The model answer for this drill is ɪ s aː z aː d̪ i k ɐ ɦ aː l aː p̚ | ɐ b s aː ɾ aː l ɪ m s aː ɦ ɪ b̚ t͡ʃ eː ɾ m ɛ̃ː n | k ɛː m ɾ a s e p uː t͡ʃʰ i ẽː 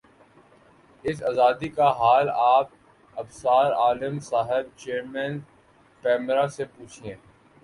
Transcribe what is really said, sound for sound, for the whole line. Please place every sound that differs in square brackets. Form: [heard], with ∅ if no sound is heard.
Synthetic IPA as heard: ɪ s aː z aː d̪ i k [a] ɦ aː l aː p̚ | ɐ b s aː ɾ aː l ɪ m s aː ɦ ɪ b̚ t͡ʃ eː ɾ m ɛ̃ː n | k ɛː m ɾ a s e p uː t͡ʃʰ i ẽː